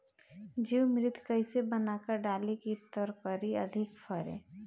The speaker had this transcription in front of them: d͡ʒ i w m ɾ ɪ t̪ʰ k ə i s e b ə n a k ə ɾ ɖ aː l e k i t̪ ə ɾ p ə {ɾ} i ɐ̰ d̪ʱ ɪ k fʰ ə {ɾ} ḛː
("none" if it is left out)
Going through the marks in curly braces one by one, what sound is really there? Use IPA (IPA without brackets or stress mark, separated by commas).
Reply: ɾ, ɾ